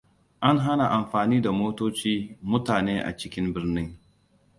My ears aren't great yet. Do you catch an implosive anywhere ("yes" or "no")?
no